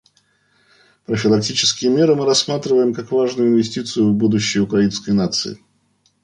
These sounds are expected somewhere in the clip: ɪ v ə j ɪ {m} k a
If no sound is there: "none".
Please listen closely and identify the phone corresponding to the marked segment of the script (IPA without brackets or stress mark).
m